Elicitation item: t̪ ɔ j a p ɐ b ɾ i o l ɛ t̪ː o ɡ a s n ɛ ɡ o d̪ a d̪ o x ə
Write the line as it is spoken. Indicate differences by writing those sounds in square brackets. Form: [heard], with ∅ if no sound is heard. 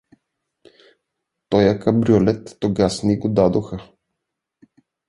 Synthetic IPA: t̪ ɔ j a [k] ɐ b ɾ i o l ɛ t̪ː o ɡ a s n [i] ɡ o d̪ a d̪ o x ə